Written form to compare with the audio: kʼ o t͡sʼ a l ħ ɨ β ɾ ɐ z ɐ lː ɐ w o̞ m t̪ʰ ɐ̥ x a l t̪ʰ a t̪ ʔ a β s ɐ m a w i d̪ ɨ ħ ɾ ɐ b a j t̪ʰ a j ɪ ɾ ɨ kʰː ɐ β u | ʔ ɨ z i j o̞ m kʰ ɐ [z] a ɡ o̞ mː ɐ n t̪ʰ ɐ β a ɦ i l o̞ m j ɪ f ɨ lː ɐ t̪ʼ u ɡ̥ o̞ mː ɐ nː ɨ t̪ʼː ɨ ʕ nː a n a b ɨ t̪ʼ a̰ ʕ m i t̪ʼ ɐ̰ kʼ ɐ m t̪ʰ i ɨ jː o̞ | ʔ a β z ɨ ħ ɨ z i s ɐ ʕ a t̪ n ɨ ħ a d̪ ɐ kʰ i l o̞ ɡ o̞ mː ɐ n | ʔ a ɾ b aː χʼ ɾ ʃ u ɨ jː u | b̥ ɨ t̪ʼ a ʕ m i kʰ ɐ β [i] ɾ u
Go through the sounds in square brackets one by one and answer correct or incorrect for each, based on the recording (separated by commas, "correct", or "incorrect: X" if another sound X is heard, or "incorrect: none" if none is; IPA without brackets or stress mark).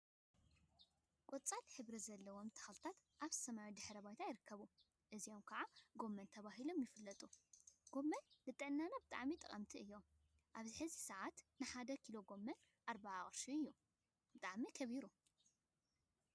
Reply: incorrect: ʕ, correct